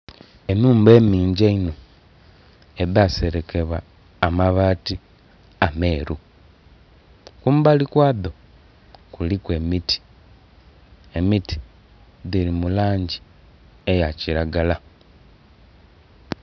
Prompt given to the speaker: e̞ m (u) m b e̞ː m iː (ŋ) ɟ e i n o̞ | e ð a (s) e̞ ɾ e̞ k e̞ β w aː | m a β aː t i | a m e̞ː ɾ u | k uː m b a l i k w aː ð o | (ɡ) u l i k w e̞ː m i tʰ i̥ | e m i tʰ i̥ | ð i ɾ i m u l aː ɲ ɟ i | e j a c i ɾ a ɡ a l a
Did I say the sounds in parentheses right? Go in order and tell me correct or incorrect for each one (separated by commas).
incorrect, incorrect, correct, incorrect